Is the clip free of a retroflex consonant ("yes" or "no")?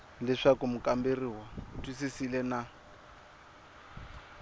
no